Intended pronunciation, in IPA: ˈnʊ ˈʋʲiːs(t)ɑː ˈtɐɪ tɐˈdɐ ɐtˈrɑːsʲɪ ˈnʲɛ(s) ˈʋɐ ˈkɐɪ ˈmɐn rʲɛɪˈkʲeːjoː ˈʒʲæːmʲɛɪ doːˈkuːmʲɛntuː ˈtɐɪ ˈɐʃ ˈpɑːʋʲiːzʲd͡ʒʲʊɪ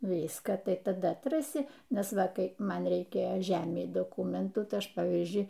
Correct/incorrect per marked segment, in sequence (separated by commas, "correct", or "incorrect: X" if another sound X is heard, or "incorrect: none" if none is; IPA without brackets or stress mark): incorrect: k, correct